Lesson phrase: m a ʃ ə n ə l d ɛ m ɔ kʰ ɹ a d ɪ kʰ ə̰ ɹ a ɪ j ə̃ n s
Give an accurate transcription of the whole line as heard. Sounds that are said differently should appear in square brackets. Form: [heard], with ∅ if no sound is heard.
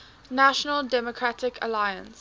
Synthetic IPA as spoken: [n] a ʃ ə n ə l d ɛ m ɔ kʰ ɹ a [t] ɪ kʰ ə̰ [l] a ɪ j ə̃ n s